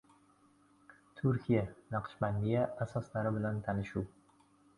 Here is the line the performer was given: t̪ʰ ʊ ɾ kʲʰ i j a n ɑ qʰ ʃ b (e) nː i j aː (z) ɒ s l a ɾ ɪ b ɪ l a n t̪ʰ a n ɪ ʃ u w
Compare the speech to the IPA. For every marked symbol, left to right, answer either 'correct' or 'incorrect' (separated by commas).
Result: incorrect, incorrect